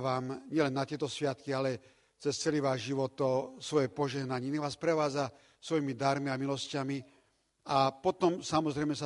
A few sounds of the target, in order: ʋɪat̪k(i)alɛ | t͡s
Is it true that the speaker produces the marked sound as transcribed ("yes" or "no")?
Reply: yes